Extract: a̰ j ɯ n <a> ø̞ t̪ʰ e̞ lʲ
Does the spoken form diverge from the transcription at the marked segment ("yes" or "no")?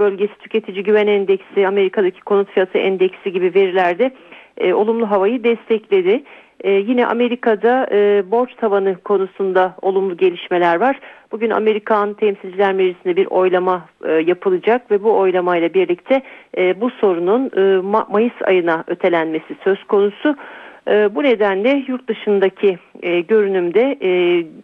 no